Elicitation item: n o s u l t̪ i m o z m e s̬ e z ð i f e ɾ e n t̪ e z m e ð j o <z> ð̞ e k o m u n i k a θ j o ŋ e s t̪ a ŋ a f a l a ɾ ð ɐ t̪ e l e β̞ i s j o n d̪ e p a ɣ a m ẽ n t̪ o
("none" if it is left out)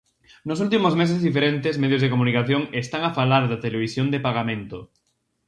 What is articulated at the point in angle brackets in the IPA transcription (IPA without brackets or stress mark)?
z